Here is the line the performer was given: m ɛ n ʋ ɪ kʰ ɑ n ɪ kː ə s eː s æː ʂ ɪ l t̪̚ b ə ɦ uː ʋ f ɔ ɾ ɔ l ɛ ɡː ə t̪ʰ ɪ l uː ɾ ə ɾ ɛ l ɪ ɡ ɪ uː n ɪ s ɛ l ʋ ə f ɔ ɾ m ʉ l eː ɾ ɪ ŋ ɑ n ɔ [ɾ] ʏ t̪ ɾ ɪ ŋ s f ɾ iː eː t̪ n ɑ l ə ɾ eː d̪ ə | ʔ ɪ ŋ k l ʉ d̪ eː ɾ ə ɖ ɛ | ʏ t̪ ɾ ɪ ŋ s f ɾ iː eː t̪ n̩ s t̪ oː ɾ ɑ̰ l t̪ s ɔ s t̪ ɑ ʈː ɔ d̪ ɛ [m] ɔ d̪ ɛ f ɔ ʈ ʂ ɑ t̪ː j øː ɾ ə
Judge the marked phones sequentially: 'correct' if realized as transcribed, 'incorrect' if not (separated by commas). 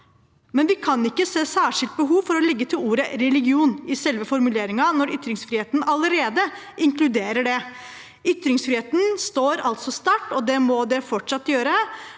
correct, correct